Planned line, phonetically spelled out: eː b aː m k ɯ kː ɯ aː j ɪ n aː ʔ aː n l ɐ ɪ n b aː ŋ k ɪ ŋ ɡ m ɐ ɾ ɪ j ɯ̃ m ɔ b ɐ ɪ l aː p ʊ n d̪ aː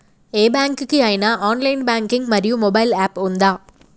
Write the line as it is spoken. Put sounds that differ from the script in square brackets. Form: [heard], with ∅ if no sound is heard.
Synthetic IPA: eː b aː [ŋ] k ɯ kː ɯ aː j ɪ n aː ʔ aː n l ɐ ɪ n b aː ŋ k ɪ ŋ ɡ m ɐ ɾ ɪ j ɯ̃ m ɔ b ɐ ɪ l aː p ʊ n d̪ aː